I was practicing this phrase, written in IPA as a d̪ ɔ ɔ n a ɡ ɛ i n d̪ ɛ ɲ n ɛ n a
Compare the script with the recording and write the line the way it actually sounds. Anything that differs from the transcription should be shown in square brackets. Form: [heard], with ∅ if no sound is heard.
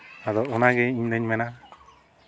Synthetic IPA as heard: a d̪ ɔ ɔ n a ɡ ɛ i [ɲ] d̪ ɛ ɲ [m] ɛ n a